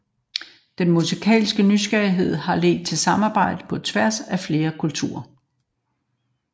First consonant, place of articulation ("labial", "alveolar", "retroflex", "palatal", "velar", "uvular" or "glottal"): alveolar